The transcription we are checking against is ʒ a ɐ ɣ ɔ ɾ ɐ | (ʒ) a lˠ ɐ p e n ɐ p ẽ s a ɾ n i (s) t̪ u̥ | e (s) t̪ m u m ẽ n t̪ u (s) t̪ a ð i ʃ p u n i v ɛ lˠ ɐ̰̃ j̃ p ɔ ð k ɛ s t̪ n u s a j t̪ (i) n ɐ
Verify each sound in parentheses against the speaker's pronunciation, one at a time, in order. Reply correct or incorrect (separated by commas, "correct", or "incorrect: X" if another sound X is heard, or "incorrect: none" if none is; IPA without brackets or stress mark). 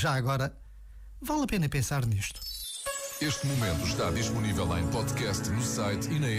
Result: incorrect: v, incorrect: ʃ, incorrect: ʃ, incorrect: ʃ, correct